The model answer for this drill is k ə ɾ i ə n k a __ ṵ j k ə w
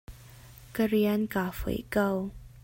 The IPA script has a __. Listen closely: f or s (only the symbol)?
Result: f